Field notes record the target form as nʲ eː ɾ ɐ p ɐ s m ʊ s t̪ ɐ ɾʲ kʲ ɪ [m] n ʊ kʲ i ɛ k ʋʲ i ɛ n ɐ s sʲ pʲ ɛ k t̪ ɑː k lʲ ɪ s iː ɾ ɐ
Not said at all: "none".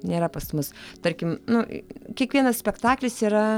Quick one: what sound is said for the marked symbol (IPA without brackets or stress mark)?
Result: m